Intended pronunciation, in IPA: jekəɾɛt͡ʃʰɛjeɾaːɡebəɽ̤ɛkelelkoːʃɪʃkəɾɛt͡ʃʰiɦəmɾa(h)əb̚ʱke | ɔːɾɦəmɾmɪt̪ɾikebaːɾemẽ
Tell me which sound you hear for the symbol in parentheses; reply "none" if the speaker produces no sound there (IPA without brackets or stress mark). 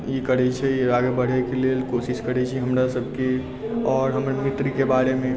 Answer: s